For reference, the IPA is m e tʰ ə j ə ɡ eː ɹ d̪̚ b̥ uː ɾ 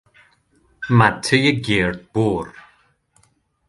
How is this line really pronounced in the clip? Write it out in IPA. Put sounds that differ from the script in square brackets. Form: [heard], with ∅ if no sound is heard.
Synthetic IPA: m [a] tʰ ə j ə ɡ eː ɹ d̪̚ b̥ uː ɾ